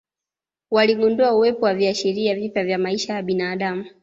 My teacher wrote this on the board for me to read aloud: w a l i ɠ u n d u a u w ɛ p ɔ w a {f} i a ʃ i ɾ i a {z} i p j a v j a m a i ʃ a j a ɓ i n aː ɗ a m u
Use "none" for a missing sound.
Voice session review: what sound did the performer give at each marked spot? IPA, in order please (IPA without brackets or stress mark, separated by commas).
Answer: v, v